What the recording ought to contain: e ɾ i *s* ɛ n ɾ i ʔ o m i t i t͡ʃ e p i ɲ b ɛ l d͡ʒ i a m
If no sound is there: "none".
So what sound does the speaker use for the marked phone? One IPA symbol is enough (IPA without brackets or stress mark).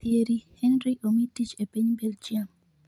h